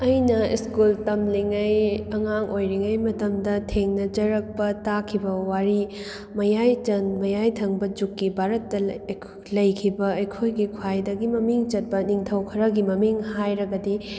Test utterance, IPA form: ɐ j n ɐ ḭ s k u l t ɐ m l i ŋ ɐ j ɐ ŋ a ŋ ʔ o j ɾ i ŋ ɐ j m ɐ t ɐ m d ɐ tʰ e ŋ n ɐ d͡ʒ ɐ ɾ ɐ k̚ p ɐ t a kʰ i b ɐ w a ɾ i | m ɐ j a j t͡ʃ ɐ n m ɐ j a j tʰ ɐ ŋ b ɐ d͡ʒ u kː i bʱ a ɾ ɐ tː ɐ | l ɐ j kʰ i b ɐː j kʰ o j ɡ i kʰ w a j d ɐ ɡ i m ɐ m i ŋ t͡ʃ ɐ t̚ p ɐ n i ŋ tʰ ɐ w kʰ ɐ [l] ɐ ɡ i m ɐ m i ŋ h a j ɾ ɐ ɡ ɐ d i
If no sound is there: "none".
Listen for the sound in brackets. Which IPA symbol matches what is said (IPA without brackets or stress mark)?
ɾ